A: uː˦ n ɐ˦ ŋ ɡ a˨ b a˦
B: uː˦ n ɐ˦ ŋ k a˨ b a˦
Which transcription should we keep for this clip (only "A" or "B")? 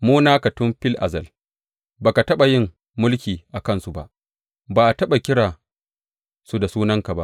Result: B